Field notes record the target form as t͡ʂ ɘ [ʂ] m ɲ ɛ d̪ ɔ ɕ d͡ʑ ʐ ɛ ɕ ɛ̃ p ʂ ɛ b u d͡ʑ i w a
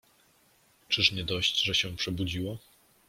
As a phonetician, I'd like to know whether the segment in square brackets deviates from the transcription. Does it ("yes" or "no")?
no